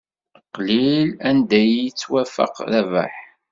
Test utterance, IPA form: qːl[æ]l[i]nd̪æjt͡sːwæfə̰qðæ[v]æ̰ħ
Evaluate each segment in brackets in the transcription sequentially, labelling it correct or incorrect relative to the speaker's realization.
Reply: incorrect: i, incorrect: æ, correct

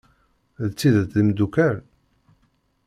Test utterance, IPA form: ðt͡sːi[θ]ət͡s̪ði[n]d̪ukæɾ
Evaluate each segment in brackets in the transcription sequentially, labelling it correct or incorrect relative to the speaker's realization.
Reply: incorrect: ð, incorrect: m

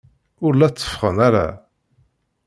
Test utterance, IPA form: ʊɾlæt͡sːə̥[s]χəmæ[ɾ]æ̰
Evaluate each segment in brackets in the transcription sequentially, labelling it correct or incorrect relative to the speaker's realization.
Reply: incorrect: f, correct

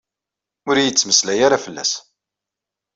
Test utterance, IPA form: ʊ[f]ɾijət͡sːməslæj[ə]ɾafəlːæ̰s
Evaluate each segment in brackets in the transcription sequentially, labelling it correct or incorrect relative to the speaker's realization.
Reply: incorrect: none, incorrect: a

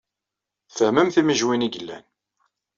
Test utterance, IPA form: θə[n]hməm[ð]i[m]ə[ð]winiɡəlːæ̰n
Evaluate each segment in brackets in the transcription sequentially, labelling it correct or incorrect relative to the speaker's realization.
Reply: incorrect: none, incorrect: θ, correct, incorrect: ʒ

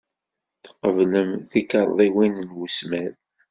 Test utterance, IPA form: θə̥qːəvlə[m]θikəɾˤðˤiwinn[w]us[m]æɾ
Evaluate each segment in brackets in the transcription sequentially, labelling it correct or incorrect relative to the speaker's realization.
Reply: correct, correct, correct

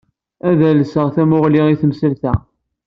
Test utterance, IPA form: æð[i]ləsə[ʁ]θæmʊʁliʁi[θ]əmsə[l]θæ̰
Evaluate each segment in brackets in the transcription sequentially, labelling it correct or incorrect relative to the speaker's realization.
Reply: incorrect: æ, correct, correct, correct

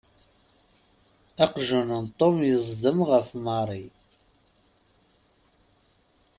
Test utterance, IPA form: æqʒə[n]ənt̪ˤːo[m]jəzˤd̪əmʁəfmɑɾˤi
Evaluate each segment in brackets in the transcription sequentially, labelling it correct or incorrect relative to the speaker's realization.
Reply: correct, correct

